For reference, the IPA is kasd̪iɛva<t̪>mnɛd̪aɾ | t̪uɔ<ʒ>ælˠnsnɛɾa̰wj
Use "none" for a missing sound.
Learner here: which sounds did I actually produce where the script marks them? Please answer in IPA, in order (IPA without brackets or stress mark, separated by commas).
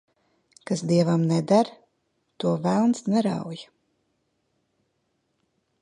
none, v